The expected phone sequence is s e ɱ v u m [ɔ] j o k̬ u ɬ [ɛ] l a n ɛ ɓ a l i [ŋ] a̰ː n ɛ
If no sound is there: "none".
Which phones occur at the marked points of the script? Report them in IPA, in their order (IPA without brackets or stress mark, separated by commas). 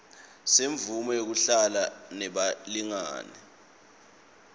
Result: ɔ, a, ŋ